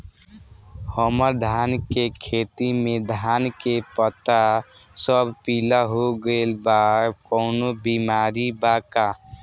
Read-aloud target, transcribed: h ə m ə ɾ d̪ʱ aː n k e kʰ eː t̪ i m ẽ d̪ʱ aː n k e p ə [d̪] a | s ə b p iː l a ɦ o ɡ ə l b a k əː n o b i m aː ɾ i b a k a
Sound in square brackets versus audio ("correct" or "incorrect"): incorrect